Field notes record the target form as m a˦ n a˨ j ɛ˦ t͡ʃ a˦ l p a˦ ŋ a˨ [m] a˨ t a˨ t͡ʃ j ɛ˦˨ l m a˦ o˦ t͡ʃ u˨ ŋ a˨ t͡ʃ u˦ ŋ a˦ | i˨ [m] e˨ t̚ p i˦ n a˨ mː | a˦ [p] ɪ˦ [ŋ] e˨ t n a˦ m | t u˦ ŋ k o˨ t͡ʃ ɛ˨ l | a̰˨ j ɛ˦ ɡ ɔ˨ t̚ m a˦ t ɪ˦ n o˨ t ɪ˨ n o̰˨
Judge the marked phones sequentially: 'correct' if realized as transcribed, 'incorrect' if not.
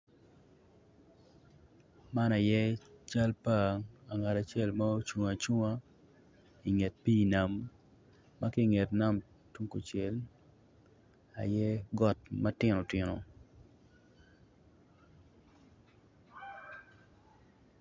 incorrect: ŋ, incorrect: ŋ, incorrect: k, correct

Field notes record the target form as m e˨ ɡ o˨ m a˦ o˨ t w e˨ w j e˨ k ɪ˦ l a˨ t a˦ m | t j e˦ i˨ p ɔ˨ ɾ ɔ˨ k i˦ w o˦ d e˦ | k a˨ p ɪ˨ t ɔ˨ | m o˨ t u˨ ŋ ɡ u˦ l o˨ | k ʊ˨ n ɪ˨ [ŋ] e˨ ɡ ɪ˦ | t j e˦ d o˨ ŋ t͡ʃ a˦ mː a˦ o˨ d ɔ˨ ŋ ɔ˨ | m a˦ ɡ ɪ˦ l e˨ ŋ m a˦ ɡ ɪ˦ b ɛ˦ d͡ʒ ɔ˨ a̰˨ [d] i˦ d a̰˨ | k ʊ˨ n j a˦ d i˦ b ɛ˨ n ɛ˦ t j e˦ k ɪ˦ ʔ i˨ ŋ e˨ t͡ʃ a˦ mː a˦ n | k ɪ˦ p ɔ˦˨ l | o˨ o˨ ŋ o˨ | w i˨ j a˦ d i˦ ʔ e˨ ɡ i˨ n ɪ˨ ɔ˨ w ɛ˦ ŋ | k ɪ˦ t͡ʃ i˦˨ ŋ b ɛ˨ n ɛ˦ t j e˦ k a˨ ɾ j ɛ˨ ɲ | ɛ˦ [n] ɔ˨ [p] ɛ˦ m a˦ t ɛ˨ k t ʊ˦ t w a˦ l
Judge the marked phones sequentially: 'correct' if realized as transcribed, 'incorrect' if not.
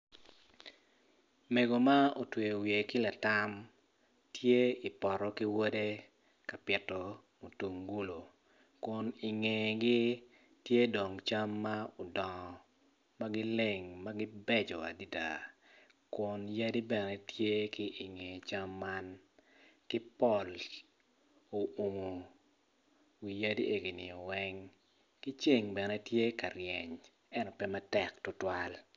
correct, correct, correct, correct

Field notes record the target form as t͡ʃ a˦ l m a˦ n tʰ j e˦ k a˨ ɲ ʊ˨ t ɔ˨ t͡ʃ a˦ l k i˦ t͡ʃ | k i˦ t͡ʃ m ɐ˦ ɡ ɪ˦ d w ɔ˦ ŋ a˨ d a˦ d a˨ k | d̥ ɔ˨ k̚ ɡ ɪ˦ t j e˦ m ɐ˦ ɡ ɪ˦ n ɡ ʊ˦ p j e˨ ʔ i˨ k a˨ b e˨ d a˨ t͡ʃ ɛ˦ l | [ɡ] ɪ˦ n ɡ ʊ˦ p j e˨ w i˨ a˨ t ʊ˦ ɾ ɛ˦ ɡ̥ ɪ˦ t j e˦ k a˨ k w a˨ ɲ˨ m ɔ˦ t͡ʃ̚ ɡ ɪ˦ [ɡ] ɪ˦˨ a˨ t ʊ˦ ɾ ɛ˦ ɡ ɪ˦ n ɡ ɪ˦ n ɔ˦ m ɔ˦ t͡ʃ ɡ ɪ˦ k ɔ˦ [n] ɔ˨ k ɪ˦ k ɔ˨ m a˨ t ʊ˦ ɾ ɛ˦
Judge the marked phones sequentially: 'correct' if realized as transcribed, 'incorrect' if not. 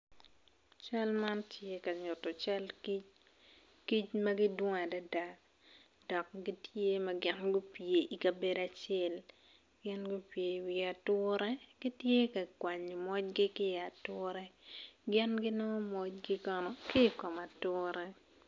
correct, incorrect: k, correct

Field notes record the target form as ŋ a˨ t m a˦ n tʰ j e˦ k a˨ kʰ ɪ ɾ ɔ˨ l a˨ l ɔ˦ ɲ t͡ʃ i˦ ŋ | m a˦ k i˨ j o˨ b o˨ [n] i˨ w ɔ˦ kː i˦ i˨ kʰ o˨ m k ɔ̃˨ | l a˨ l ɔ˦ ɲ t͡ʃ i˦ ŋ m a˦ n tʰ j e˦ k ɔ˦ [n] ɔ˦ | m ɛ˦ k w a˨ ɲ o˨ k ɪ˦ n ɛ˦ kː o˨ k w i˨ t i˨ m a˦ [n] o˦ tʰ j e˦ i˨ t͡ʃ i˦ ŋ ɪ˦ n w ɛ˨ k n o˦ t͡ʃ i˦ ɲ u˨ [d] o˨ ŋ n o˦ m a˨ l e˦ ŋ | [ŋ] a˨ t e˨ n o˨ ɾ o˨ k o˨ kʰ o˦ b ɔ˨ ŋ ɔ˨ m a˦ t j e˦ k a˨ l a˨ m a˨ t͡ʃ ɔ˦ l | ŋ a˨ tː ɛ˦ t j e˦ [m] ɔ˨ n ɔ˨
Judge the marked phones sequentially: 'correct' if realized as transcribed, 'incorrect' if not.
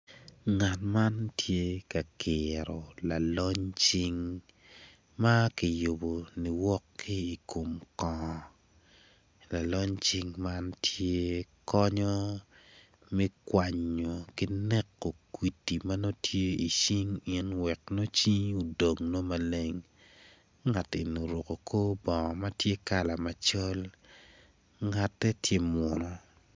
correct, incorrect: ɲ, correct, correct, correct, correct

